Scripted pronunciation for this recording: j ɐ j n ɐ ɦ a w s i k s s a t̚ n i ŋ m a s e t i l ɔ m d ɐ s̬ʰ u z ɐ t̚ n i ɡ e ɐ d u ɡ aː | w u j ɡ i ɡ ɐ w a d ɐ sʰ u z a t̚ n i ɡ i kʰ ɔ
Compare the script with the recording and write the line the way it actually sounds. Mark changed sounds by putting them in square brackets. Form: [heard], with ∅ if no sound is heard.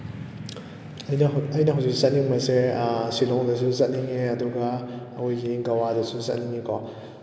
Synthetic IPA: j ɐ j n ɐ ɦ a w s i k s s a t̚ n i ŋ m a s e [s] i l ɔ [ŋ] d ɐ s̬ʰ u z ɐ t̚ n i [ŋ] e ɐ d u ɡ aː | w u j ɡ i ɡ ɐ w a d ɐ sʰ u z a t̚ n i [ŋ] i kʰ ɔ

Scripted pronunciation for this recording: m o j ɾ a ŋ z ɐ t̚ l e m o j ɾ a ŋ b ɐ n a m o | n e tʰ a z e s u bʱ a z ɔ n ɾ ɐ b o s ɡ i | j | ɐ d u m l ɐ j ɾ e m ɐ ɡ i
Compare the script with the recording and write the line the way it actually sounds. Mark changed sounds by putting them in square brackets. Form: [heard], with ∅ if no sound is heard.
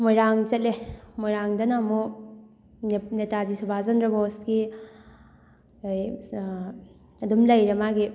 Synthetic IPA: m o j ɾ a ŋ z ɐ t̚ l e m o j ɾ a ŋ [d] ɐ n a m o | n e [t] a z [i] s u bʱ a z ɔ n ɾ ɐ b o s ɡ i | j | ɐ d u m l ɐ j ɾ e m [a] ɡ i

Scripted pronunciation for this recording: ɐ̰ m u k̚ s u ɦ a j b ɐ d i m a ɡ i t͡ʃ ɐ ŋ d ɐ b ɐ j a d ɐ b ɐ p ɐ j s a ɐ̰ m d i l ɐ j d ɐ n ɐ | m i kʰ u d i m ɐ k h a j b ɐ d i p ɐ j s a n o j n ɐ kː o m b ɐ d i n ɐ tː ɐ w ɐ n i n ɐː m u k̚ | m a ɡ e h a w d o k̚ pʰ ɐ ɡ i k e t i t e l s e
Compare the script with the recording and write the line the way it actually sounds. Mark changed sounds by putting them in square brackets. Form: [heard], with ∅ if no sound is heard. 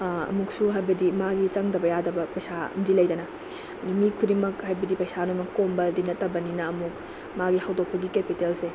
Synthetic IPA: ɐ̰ m u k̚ s u ɦ a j b ɐ d i m a ɡ i t͡ʃ ɐ ŋ d ɐ b ɐ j a d ɐ b ɐ p ɐ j s a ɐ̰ m d i l ɐ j d ɐ n ɐ | m i kʰ u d i m ɐ k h a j b ɐ d i p ɐ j s a n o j [m] ɐ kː o m b ɐ d i n ɐ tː ɐ [b] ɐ n i n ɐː m u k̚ | m a ɡ [i] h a w d o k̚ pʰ ɐ ɡ i k e [p] i t e l s e

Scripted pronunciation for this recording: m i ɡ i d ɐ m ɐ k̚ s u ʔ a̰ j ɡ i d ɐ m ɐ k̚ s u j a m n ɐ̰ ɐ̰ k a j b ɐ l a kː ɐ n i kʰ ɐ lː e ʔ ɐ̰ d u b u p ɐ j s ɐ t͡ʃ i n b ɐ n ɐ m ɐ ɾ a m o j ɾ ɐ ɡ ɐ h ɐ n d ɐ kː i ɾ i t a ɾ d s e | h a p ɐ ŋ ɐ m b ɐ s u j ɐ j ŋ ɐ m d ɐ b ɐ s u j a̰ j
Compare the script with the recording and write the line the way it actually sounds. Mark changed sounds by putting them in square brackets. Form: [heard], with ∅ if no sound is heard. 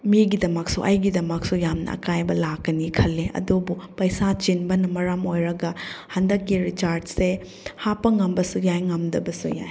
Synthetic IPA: m i ɡ i d ɐ m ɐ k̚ s u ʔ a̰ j ɡ i d ɐ m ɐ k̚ s u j a m n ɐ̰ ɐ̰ k a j b ɐ l a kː ɐ n i kʰ ɐ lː e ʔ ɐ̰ d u b u p ɐ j s [a] t͡ʃ i n b ɐ n ɐ m ɐ ɾ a m o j ɾ ɐ ɡ ɐ h ɐ n d ɐ kː i ɾ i [t͡ʃ] a ɾ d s e | h a p ɐ ŋ ɐ m b ɐ s u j [a] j ŋ ɐ m d ɐ b ɐ s u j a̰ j

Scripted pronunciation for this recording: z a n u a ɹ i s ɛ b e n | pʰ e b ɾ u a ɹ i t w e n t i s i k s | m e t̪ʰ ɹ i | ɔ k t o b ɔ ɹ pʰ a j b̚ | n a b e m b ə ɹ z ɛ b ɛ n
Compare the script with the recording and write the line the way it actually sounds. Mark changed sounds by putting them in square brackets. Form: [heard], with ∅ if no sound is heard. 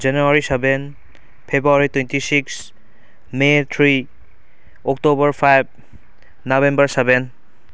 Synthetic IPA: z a n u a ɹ i s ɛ b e n | pʰ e b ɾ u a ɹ i t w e n t i s i k s | m e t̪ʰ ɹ i | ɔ k t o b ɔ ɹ pʰ a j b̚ | n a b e m b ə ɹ [s] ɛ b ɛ n

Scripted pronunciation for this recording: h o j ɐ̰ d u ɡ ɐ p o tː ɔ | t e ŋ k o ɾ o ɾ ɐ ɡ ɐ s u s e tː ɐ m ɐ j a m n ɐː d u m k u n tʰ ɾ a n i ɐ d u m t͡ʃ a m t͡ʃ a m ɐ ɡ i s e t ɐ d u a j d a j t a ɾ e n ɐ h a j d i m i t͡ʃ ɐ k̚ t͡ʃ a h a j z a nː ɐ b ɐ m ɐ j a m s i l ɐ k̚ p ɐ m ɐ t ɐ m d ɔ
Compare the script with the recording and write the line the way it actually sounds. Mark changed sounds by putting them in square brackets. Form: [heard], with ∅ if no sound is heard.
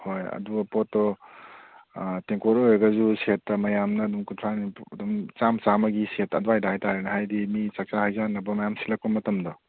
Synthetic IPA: h o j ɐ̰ d u ɡ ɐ p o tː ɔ | t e ŋ k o ɾ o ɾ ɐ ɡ ɐ [z] u s e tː ɐ m ɐ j a m n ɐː d u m k u n tʰ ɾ a n i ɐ d u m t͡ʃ a m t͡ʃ a m ɐ ɡ i s e t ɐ d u a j d a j t a ɾ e n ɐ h a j d i m i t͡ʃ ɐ k̚ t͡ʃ a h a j z a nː ɐ b ɐ m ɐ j a m s i l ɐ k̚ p ɐ m ɐ t ɐ m d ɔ

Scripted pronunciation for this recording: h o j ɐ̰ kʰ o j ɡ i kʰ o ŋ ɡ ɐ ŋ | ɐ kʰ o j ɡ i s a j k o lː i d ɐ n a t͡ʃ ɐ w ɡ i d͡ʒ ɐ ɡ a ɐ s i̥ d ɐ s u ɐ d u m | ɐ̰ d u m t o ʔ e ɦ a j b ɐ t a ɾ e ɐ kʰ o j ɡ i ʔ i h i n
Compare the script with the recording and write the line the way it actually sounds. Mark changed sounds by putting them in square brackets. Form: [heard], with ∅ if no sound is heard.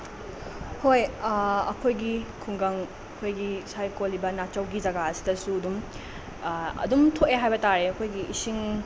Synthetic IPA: h o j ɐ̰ kʰ o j ɡ i kʰ [u] ŋ ɡ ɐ ŋ | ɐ kʰ o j ɡ i s a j k o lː i [b] ɐ n a t͡ʃ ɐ w ɡ i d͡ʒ ɐ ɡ a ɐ s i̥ d ɐ s u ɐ d u m | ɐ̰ d u m [tʰ] o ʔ e ɦ a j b ɐ t a ɾ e ɐ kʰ o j ɡ i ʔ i [s] i [ŋ]

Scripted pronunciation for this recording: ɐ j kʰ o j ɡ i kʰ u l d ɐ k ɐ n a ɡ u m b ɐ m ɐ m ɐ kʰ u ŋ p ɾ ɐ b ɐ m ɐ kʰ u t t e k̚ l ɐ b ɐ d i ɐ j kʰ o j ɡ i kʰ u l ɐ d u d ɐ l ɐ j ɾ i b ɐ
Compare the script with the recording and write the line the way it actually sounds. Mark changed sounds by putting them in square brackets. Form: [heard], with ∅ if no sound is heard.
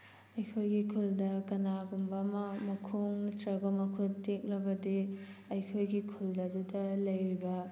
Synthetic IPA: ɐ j kʰ o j ɡ i kʰ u l d ɐ k ɐ n a ɡ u m b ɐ m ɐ m ɐ kʰ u ŋ [t] ɾ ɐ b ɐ m ɐ kʰ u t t e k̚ l ɐ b ɐ d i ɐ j kʰ o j ɡ i kʰ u l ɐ d u d ɐ l ɐ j ɾ i b ɐ

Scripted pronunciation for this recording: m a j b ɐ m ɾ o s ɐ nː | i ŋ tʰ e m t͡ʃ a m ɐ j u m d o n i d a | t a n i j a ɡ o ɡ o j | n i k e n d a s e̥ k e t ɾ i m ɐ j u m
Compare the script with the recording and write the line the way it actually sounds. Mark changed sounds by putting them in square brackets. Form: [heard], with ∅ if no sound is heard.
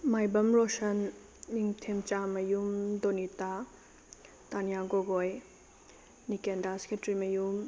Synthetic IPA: m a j b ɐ m ɾ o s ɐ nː | i ŋ tʰ e m t͡ʃ a m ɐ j u m d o n i [t] a | t a n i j a ɡ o ɡ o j | n i k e n d a s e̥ k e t ɾ i m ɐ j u m

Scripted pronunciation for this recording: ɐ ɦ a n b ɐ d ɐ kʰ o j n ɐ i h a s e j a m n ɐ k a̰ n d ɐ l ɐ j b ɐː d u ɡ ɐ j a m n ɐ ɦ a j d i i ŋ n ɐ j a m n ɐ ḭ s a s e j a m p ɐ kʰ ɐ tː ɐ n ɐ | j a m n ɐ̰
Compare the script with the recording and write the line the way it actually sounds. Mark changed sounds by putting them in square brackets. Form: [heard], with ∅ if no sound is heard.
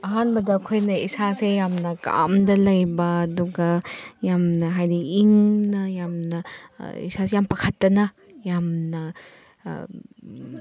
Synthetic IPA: ɐ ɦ a n b ɐ d ɐ kʰ o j n ɐ i [s] a s e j a m n ɐ k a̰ [m] d ɐ l ɐ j b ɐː d u ɡ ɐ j a m n ɐ ɦ a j d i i ŋ n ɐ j a m n ɐ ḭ s a s e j a m p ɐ kʰ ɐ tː ɐ n ɐ | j a m n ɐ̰

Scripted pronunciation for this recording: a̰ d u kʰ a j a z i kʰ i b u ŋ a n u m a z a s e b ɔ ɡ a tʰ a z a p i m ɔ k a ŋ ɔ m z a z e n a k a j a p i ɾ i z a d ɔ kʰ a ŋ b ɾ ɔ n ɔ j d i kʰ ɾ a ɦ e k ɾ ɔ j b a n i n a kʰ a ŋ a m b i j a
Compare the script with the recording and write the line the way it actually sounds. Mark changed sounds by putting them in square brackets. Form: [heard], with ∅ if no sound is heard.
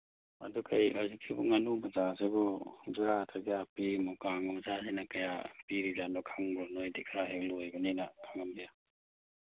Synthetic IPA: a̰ d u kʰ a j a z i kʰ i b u ŋ a n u m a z a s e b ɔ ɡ a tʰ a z a p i m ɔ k a ŋ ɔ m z a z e n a k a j a p i ɾ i z a [n] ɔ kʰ a ŋ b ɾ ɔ n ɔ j d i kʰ ɾ a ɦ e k [l] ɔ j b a n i n a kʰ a ŋ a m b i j a

